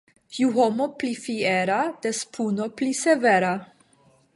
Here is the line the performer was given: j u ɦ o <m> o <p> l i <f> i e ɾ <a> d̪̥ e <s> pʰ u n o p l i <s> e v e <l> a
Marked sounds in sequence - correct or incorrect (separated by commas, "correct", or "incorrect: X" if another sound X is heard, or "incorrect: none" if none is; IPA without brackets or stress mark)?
correct, correct, correct, correct, correct, correct, incorrect: ɾ